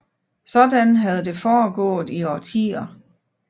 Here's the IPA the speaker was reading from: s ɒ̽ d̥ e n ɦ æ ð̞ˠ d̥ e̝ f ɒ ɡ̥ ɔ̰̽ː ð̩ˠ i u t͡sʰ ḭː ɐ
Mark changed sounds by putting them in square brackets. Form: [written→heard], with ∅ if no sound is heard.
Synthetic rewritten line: s ɒ̽ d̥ [e→æ] n ɦ æ ð̞ˠ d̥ e̝ f [ɒ→ɒː] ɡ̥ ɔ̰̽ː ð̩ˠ i [u→ɒ] t͡sʰ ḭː ɐ